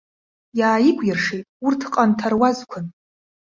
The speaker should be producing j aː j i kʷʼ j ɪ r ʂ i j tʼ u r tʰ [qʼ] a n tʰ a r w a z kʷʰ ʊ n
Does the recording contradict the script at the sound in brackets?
no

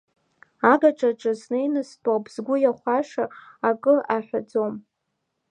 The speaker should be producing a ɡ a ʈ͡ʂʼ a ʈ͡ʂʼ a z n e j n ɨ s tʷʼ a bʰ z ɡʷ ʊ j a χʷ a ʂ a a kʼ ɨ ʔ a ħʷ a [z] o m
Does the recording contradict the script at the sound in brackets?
yes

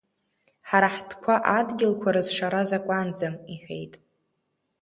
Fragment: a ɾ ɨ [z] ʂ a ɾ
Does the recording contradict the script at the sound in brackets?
no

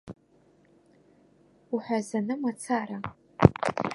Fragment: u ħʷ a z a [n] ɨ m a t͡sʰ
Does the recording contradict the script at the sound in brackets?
no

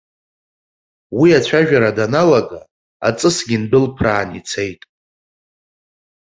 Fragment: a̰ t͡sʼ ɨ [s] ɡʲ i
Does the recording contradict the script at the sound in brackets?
no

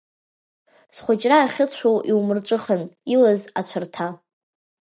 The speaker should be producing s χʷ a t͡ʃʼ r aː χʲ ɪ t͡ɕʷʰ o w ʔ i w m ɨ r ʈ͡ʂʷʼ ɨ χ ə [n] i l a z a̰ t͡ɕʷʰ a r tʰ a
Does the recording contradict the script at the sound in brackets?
no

